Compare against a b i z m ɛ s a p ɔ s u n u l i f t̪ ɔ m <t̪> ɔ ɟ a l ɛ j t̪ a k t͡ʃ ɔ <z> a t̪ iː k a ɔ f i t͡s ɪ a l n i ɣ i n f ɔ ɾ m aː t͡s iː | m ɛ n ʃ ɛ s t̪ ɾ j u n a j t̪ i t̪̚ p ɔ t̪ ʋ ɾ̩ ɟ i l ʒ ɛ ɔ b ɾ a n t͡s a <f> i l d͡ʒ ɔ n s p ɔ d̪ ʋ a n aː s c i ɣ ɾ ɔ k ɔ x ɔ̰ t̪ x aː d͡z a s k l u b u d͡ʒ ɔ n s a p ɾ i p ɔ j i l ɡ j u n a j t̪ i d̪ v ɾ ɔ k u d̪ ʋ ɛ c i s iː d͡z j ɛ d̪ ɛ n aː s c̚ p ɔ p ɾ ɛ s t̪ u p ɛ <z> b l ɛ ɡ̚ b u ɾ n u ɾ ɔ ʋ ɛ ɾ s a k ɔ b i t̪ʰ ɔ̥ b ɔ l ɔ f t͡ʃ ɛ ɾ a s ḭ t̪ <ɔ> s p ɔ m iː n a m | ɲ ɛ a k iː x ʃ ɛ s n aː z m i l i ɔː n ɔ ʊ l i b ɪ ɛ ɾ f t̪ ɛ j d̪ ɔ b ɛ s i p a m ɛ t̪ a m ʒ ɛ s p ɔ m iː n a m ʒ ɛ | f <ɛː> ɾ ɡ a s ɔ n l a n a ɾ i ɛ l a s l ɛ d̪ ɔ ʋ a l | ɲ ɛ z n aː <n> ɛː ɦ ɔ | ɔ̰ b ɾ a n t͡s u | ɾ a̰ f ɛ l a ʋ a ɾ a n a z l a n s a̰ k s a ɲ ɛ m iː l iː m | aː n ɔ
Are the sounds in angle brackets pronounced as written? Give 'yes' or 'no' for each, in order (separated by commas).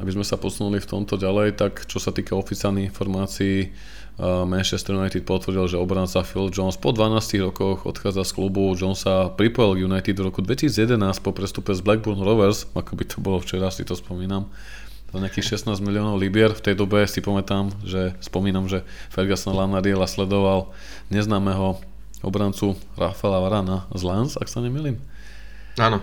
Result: yes, no, yes, yes, yes, no, no